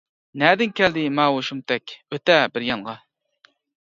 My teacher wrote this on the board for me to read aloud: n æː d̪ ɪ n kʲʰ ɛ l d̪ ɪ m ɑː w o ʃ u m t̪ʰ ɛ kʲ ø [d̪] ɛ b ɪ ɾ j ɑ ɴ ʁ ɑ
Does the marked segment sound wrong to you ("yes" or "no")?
yes